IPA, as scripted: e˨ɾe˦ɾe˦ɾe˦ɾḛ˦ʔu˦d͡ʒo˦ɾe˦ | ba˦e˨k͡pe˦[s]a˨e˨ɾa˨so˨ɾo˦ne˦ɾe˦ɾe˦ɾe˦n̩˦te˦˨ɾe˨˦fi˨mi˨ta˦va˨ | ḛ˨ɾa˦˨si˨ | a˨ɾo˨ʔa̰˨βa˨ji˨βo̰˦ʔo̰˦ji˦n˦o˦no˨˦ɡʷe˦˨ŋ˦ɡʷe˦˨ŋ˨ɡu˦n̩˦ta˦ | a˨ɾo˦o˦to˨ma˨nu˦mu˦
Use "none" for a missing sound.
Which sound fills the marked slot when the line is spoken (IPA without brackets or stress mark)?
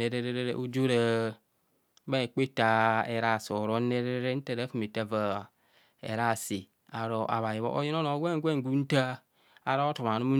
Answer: t